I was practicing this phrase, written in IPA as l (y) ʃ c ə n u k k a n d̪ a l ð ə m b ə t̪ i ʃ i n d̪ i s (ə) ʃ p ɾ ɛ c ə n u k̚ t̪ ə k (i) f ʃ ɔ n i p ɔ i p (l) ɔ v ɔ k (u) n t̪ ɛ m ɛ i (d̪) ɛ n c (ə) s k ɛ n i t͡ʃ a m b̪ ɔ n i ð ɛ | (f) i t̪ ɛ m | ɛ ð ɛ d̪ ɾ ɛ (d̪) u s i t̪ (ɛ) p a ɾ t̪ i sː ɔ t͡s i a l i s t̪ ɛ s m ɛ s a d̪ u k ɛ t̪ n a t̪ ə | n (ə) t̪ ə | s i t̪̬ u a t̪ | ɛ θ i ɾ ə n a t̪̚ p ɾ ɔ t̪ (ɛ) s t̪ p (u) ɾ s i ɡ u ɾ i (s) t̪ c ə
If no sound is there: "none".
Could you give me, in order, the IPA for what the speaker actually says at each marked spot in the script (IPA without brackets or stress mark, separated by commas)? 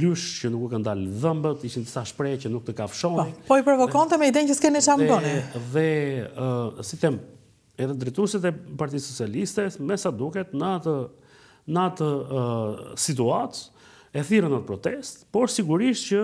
y, a, a, ɾ, ɔ, d̪, ə, s, t̪, ɛ, a, ɛ, ɔ, ʃ